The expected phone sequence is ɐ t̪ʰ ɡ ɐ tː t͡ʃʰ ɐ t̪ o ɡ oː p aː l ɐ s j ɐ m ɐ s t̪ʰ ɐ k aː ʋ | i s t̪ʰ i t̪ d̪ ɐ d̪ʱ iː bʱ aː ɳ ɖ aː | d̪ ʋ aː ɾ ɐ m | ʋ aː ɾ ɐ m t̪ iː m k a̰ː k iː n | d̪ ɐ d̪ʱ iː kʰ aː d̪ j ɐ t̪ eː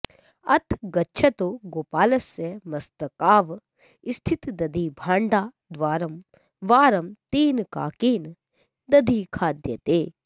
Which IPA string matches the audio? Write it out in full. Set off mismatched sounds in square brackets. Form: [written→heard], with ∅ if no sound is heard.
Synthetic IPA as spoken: ɐ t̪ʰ ɡ ɐ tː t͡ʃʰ ɐ t̪ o ɡ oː p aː l ɐ s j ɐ m ɐ s [t̪ʰ→t̪] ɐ k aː ʋ | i s t̪ʰ i t̪ d̪ ɐ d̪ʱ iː bʱ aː ɳ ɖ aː | d̪ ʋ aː ɾ ɐ m | ʋ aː ɾ ɐ m t̪ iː [m→n] k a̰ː k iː n | d̪ ɐ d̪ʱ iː kʰ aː d̪ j ɐ t̪ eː